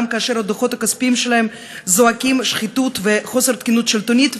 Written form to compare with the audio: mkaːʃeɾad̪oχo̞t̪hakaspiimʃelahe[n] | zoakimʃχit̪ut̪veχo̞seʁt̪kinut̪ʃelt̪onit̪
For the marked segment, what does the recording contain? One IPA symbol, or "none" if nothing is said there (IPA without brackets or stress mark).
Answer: m